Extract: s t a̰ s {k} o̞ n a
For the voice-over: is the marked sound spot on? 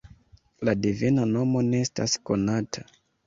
yes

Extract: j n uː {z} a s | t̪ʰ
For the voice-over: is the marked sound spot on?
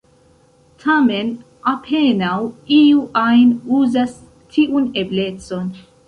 yes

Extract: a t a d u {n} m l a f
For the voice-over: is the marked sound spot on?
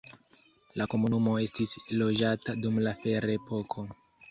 no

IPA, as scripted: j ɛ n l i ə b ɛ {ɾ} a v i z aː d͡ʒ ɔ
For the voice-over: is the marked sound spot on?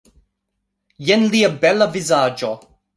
no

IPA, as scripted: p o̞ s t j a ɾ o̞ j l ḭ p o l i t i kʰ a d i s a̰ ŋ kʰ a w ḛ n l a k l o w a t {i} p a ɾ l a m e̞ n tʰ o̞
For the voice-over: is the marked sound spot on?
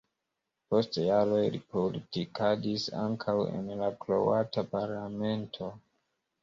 no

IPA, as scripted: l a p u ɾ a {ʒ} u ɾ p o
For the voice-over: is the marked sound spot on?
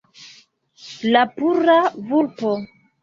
no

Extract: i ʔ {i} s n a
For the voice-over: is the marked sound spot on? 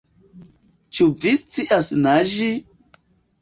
no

